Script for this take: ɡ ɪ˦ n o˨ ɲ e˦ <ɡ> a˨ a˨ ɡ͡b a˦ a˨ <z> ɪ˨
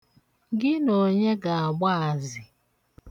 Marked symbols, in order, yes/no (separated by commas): yes, yes